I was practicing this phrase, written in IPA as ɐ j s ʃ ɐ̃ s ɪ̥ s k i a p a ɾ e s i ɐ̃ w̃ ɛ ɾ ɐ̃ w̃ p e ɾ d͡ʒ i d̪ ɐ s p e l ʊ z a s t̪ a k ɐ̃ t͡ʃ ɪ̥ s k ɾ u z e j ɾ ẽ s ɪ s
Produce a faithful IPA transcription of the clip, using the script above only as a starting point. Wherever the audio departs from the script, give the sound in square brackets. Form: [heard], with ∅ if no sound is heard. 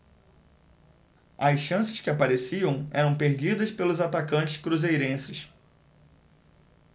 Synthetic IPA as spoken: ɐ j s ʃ ɐ̃ s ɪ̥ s k [ɪ] a p a ɾ e s i ɐ̃ w̃ ɛ ɾ ɐ̃ w̃ p e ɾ d͡ʒ i d̪ ɐ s p e l ʊ z a [∅] t̪ a k ɐ̃ t͡ʃ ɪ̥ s k ɾ u z e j ɾ ẽ s ɪ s